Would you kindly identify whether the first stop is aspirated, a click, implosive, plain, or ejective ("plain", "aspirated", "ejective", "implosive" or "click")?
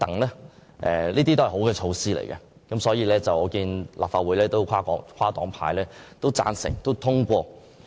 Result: plain